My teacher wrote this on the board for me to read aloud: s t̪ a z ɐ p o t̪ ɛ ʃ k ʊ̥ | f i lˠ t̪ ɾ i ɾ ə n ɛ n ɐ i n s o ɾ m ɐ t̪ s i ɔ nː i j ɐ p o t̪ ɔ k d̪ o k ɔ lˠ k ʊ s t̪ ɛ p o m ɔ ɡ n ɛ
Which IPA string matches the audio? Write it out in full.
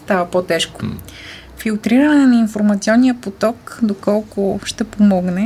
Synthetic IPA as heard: s t̪ a v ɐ p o t̪ ɛ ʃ k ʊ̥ | f i lˠ t̪ ɾ i ɾ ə n ɛ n ɐ i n f o ɾ m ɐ t̪ s i ɔ nː i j ə p o t̪ ɔ k d̪ o k ɔ lˠ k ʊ ʃ t̪ ɛ p o m ɔ ɡ n ɛ